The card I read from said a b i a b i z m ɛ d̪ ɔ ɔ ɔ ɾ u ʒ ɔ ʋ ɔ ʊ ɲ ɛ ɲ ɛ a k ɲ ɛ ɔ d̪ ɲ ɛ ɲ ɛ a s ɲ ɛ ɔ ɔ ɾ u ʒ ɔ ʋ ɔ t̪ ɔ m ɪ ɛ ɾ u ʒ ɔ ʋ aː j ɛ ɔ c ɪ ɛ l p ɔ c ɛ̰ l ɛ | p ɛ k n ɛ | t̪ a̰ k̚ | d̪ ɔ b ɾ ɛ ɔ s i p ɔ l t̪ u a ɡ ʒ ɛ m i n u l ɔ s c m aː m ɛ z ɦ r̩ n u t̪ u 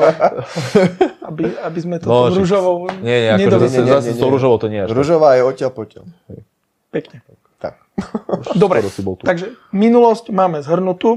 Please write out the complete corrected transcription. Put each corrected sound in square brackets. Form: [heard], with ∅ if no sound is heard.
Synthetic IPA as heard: a b i a b i z m ɛ [t̪] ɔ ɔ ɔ ɾ u ʒ ɔ ʋ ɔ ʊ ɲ ɛ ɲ ɛ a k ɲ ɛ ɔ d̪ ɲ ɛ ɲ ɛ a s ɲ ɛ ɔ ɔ ɾ u ʒ ɔ ʋ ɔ t̪ ɔ [ɲ] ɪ ɛ ɾ u ʒ ɔ ʋ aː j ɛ ɔ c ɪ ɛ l p ɔ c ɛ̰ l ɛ | p ɛ k [ɲ] ɛ | t̪ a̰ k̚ | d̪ ɔ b ɾ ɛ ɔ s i [b] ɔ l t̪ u a ɡ ʒ ɛ m i n u l ɔ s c m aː m ɛ z ɦ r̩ n u t̪ u